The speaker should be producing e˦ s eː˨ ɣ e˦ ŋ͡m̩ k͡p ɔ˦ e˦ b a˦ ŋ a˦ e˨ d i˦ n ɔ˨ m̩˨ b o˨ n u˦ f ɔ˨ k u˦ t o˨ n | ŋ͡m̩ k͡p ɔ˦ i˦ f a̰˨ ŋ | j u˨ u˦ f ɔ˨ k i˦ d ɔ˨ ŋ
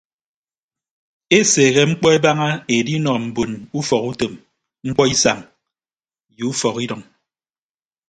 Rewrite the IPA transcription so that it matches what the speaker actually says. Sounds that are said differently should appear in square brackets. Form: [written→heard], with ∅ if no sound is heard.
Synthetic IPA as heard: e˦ s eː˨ ɣ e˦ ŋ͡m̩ k͡p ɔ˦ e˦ b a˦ ŋ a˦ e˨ d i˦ n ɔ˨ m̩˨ b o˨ n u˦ f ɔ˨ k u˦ t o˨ [n→m] | ŋ͡m̩ k͡p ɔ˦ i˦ [f→s] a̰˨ ŋ | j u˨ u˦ f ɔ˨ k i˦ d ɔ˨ ŋ